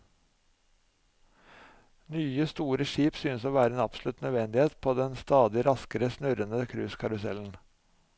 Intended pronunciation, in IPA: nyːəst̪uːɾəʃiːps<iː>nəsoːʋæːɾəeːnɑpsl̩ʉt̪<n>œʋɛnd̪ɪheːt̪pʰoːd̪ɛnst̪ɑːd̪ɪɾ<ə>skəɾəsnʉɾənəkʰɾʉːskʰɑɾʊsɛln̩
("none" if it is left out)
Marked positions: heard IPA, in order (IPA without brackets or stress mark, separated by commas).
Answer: yː, n, ɑ